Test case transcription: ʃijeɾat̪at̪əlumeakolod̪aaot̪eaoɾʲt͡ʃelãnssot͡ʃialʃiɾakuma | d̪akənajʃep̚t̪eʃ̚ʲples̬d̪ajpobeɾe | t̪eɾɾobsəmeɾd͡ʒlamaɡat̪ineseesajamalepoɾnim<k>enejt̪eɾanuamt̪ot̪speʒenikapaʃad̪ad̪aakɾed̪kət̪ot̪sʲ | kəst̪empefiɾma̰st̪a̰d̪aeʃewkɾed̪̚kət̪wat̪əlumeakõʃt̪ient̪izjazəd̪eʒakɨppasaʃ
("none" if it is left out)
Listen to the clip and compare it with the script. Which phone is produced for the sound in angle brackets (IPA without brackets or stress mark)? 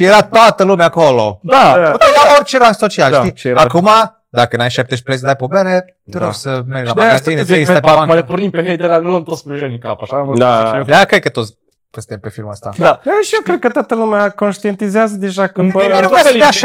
p